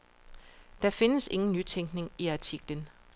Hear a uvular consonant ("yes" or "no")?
no